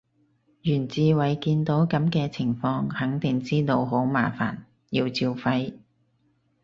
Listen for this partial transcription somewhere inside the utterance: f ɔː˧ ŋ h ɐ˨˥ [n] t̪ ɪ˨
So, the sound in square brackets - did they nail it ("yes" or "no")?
no